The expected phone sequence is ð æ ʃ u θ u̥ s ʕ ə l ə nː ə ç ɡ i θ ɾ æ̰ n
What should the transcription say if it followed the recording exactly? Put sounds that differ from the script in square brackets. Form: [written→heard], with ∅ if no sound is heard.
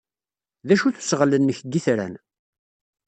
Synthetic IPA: ð æ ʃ u θ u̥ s [ʕ→ʁ] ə l ə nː ə ç ɡ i θ ɾ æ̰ n

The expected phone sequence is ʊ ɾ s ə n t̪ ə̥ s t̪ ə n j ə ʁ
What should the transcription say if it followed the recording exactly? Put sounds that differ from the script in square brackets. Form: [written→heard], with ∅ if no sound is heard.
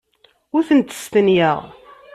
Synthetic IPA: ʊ ɾ [s→θ] ə n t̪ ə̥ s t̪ ə n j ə ʁ

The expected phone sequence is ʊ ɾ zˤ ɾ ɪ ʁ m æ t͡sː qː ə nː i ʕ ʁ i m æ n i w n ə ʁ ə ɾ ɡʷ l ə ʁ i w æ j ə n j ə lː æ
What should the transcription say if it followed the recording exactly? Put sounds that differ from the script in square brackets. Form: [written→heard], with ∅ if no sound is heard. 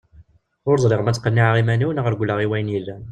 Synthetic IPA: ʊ ɾ zˤ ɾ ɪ ʁ m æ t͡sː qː ə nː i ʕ ʁ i m æ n i w n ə ʁ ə ɾ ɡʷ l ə ʁ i w æ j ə n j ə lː æ

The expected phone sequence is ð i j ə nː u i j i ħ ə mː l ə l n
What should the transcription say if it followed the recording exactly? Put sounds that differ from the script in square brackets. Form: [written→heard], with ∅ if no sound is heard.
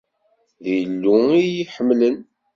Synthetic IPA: ð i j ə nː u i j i ħ ə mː l ə [l→∅] n

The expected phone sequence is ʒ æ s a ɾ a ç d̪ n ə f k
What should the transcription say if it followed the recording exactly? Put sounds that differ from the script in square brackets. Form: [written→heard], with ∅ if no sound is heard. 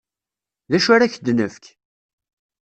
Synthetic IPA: [ʒ→ð] æ [s→ʃ] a ɾ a ç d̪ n ə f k

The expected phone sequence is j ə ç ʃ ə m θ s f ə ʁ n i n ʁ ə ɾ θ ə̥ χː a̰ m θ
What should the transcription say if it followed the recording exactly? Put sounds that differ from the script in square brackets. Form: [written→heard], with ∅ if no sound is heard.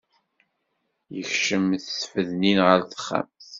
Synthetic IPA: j ə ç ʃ ə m θ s f ə [ʁ→ð] n i n ʁ ə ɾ θ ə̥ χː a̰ m θ

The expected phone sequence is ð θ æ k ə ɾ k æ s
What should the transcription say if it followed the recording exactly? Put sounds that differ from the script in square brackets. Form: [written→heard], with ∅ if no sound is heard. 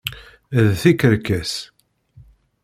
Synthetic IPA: ð θ [æ→i] k ə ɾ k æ s

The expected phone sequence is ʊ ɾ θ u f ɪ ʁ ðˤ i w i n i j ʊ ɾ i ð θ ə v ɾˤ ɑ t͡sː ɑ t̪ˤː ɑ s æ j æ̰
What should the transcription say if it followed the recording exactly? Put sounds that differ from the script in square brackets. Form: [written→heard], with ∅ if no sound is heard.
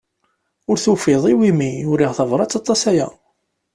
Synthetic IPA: ʊ ɾ θ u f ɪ [ʁ→∅] ðˤ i w i [n→m] i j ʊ ɾ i [ð→ʁ] θ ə v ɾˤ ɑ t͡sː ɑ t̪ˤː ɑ s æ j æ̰

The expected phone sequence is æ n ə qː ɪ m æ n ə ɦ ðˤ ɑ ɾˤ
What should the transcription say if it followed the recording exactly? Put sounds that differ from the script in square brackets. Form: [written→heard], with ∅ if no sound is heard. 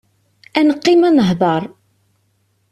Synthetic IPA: æ n ə qː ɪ m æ n ə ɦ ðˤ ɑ ɾˤ

